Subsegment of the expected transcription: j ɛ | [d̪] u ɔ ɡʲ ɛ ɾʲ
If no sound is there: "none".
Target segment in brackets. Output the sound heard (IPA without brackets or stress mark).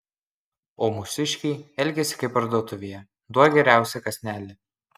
d̪